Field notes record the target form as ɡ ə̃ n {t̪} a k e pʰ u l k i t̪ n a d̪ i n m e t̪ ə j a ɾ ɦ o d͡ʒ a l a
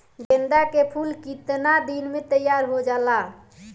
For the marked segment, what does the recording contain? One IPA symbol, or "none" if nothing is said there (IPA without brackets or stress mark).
d̪